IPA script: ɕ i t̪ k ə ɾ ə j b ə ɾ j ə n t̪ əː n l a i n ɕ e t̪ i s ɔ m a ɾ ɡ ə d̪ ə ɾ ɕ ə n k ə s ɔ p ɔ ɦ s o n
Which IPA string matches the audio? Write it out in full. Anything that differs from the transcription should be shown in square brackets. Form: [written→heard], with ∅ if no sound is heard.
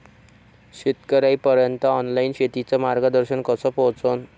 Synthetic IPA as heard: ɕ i t̪ k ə ɾ [ə→a] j [b→p] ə ɾ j ə n t̪ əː n l a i n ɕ e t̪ i [s→t͡s] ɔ m a ɾ ɡ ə d̪ ə ɾ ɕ ə n k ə s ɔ p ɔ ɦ [s→t͡s] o n

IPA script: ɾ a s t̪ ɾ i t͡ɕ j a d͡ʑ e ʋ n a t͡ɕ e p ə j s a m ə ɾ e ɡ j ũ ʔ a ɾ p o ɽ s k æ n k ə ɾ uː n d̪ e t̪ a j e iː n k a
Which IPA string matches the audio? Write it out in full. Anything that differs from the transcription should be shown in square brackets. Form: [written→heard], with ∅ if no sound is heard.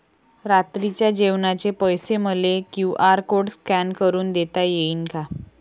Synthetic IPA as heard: ɾ a [s→∅] t̪ ɾ i t͡ɕ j a d͡ʑ e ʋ n a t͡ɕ e p ə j s [a→e] m ə [ɾ→l] e [ɡ→k] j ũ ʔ a ɾ [p→k] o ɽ s k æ n k ə ɾ uː n d̪ e t̪ a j e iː n k a

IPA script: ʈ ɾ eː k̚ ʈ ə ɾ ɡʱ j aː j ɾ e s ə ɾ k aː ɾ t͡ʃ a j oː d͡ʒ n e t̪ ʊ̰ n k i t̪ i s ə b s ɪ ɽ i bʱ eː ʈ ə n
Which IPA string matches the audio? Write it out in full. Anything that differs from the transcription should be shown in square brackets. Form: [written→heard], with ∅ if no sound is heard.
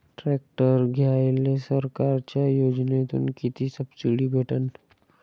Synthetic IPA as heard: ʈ ɾ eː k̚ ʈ ə ɾ ɡʱ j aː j [ɾ→l] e s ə ɾ k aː ɾ t͡ʃ a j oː d͡ʒ n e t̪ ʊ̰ n k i t̪ i s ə b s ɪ ɽ i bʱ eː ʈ ə n

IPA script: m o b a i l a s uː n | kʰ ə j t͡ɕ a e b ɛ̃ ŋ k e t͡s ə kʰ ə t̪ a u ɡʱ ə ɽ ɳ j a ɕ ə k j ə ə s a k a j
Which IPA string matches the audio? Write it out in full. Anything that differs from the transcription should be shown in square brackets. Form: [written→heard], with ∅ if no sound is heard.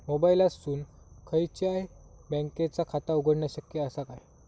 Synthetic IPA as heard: m o b a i l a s uː n | kʰ ə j t͡ɕ a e b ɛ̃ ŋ k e t͡s [ə→a] kʰ [ə→a] t̪ a u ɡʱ ə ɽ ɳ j a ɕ ə k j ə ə s a k a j

